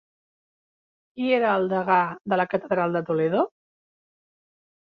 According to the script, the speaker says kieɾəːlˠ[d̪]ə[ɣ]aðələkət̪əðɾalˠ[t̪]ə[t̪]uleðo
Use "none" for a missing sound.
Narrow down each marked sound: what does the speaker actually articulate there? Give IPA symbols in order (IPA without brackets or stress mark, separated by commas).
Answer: d̪, ɣ, d̪, t̪